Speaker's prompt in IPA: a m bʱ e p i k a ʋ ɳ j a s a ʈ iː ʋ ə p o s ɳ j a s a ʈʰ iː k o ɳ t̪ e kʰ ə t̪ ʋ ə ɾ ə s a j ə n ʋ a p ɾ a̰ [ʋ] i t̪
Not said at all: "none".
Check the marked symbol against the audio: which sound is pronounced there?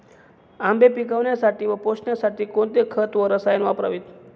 ʋ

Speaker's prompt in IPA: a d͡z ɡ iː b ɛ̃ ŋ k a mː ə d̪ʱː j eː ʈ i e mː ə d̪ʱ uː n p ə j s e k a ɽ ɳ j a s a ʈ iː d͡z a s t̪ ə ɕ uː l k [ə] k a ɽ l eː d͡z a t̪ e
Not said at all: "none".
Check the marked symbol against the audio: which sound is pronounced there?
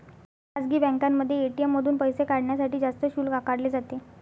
a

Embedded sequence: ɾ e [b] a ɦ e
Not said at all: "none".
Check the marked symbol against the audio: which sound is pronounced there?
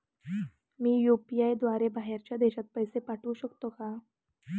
b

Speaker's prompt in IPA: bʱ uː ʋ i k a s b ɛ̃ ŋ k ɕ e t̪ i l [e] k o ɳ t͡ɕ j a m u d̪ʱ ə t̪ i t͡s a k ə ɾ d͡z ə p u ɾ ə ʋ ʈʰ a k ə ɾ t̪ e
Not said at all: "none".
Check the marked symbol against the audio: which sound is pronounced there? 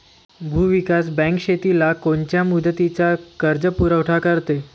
a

